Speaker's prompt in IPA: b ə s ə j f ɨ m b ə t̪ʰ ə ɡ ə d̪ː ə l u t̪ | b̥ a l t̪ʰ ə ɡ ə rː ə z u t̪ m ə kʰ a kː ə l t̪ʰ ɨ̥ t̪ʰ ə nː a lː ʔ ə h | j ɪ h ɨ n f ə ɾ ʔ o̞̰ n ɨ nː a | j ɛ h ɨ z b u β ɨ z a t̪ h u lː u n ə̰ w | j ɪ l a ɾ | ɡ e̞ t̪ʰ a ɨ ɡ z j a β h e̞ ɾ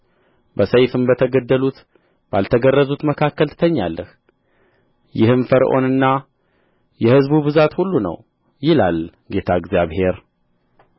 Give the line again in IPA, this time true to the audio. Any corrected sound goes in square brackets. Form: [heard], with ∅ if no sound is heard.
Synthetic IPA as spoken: b ə s ə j f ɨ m b ə t̪ʰ ə ɡ ə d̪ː ə l u t̪ | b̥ a l t̪ʰ ə ɡ ə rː ə z u t̪ m ə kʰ a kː ə l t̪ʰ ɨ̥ t̪ʰ ə [ɲː] a lː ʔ ə h | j ɪ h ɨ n f ə ɾ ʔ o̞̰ n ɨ nː a | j ɛ h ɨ z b u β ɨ z a t̪ h u lː u n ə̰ w | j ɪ l a [l] | ɡ e̞ t̪ʰ a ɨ ɡ z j a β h e̞ ɾ